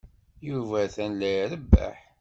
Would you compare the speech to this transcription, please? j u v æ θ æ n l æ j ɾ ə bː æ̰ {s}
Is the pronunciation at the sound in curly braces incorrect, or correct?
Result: incorrect